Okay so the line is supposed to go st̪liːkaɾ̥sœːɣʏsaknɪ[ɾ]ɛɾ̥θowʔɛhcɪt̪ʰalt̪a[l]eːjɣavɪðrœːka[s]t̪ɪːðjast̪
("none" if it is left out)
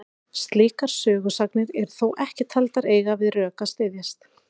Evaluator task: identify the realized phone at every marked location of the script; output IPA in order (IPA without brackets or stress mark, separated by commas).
ɾ, ɾ, s